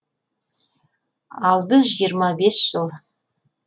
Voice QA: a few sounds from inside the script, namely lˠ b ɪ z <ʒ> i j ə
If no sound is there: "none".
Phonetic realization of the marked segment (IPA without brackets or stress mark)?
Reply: ʒ